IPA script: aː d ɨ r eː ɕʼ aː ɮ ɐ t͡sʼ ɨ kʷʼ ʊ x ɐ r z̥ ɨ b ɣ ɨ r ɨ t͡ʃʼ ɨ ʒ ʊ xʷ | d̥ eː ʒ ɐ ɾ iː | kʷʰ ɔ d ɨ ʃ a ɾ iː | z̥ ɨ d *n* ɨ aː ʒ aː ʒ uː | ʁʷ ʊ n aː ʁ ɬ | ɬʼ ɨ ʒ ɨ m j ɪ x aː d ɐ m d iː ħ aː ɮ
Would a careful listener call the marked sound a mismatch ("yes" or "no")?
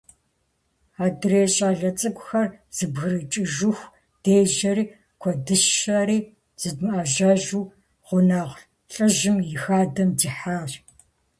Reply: yes